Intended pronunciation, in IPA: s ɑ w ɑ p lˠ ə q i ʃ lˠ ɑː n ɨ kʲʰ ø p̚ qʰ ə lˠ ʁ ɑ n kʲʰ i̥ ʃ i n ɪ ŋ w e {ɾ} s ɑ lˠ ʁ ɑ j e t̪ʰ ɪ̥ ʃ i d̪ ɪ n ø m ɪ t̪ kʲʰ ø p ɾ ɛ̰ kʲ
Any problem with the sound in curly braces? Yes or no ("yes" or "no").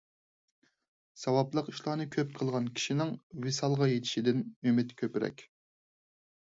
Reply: yes